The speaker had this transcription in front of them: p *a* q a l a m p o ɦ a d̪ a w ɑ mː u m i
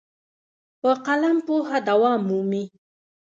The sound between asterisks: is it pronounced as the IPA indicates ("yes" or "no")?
no